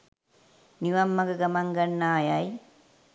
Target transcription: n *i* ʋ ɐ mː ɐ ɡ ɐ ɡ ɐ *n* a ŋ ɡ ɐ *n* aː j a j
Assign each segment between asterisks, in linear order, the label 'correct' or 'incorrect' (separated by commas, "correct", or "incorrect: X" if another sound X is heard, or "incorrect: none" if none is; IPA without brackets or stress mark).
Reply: correct, incorrect: m, incorrect: nː